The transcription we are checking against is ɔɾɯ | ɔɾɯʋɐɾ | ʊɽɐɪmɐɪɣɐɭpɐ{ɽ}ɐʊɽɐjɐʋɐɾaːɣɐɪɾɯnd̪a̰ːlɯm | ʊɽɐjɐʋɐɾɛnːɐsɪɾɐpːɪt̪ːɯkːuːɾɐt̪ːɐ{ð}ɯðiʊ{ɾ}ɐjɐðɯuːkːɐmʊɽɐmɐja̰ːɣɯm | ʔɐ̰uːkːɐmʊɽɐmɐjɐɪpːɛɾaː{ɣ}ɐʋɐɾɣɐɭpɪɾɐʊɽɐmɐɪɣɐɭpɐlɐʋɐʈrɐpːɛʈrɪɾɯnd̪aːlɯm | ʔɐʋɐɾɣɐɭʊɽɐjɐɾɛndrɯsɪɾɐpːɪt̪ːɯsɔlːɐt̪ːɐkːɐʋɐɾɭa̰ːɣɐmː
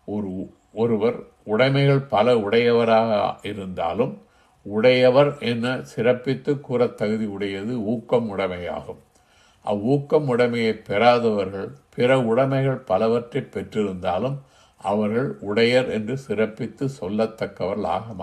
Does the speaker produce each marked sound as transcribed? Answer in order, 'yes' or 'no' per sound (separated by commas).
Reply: no, no, no, no